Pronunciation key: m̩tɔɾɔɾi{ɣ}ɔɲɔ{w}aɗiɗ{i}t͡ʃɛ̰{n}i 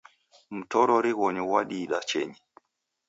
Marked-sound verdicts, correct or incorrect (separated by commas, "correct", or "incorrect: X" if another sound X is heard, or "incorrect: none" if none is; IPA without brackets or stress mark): correct, correct, incorrect: a, incorrect: ɲ